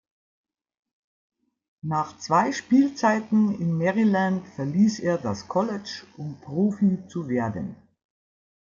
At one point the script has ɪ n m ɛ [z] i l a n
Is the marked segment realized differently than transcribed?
yes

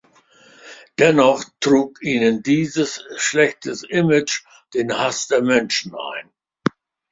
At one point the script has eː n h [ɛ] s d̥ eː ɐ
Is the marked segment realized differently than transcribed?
yes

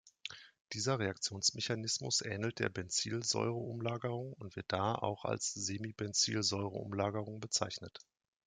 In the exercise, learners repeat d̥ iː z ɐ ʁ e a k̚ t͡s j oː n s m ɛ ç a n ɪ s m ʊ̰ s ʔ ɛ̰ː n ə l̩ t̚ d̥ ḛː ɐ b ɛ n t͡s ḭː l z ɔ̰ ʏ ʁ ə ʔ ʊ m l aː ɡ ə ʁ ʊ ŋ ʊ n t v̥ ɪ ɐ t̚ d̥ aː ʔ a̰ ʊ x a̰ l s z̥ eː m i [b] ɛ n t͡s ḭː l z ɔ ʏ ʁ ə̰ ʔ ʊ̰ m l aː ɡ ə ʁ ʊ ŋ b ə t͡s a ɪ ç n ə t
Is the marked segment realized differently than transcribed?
no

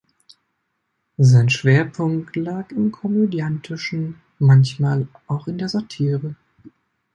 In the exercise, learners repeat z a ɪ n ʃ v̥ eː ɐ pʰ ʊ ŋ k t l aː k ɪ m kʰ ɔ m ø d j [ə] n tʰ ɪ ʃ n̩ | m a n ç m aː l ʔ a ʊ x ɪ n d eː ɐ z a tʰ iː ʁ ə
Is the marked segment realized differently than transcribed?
yes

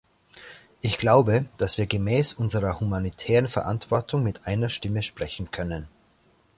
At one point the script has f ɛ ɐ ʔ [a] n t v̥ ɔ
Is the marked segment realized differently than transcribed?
no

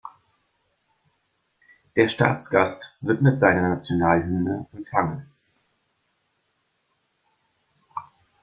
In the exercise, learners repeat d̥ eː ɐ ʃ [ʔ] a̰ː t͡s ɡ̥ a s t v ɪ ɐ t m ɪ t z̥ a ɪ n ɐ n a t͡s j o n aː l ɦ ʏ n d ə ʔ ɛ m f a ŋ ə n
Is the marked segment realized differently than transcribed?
yes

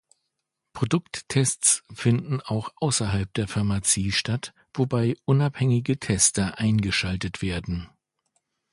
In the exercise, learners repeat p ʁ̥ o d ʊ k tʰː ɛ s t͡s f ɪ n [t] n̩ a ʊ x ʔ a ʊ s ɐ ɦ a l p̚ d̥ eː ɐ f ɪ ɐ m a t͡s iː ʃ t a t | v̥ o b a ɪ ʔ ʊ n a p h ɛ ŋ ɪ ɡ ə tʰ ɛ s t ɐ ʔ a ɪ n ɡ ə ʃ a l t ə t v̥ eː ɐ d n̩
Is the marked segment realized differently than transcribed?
yes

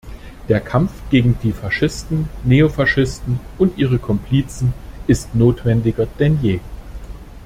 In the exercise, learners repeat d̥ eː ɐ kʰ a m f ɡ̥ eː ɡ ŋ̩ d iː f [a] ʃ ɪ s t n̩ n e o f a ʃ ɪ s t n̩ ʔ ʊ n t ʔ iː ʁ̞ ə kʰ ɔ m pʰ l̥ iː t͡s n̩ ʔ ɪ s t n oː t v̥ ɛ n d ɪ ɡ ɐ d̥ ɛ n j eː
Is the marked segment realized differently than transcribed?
no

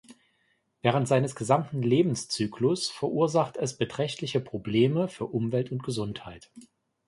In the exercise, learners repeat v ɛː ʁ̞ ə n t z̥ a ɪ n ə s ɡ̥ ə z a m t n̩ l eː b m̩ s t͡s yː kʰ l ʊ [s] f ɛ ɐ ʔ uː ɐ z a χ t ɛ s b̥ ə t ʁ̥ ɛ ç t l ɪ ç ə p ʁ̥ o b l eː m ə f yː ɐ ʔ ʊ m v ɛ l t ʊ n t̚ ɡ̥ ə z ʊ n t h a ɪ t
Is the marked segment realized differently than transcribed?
no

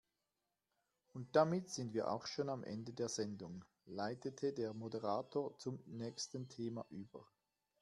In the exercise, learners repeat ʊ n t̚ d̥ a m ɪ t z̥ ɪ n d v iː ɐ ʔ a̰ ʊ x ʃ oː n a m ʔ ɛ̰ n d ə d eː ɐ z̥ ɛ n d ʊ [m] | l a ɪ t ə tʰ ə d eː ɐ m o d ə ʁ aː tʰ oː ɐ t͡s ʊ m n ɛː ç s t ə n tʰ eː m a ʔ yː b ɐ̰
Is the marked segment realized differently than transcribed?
yes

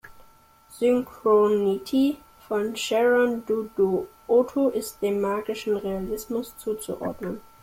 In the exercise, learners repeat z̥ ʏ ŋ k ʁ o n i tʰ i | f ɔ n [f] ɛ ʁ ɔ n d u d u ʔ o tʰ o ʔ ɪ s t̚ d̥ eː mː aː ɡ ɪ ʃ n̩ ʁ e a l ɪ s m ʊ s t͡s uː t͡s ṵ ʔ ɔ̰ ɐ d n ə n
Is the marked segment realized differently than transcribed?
yes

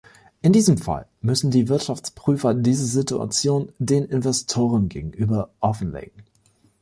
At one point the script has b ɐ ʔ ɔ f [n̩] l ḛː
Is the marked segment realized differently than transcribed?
no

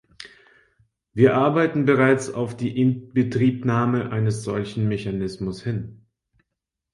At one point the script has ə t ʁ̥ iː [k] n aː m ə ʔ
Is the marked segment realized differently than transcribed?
yes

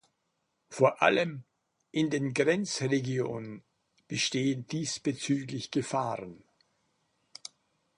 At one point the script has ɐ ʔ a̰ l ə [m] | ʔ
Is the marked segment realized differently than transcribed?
no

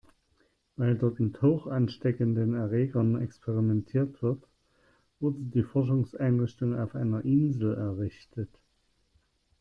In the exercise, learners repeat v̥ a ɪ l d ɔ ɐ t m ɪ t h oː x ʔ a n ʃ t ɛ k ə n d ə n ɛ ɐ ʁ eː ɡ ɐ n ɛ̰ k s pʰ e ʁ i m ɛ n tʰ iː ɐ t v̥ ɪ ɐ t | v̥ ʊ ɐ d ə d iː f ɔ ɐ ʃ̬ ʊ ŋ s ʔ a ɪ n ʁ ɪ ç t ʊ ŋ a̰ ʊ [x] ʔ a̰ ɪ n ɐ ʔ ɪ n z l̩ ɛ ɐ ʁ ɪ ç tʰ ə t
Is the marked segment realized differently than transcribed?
yes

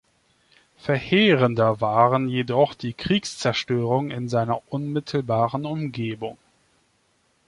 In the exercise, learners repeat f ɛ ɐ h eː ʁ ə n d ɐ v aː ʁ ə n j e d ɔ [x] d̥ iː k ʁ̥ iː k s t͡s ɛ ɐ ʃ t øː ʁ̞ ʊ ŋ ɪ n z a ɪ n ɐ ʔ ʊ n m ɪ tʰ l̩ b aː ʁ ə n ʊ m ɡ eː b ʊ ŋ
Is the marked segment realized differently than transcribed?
yes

